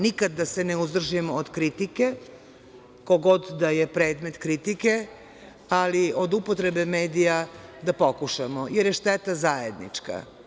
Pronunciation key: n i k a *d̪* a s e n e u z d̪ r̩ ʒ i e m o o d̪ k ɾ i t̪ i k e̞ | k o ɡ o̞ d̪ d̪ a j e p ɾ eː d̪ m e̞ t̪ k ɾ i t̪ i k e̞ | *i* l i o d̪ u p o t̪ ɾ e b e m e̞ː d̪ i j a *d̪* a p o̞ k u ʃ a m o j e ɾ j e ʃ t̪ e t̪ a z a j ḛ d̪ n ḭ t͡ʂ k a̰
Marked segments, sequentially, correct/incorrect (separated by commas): incorrect, incorrect, correct